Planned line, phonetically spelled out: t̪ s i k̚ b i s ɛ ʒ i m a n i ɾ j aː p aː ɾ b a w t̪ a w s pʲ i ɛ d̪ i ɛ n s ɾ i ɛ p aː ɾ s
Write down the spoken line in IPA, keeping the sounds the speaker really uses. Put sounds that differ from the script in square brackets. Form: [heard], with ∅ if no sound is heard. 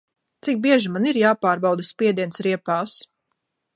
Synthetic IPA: t̪ s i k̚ b i [∅] ɛ ʒ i m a n i ɾ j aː p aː ɾ b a w [d̪] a [∅] s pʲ i ɛ d̪ i ɛ n s ɾ i ɛ p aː [∅] s